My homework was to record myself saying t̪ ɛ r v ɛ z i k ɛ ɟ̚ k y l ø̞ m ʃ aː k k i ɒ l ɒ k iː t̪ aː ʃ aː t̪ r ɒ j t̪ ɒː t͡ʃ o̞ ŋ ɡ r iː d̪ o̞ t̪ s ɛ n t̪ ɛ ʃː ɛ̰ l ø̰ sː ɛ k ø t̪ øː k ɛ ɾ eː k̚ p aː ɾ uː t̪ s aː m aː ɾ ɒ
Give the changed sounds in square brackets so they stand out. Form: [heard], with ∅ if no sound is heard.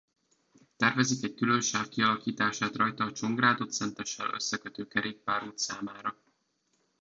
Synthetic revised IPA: t̪ ɛ r v ɛ z i k ɛ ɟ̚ k y l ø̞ [n] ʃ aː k k i ɒ l ɒ k iː t̪ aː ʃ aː t̪ r ɒ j t̪ ɒː t͡ʃ o̞ ŋ ɡ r [aː] d̪ o̞ t̪ s ɛ n t̪ ɛ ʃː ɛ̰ l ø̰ sː ɛ k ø t̪ øː k ɛ ɾ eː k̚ p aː ɾ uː t̪ s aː m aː ɾ ɒ